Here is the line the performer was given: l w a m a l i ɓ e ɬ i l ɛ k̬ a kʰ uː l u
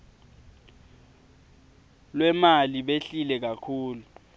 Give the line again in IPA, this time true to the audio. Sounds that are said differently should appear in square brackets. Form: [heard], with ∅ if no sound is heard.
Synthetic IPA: l w [ɛ] m a l i ɓ e ɬ i l ɛ k̬ a kʰ uː l u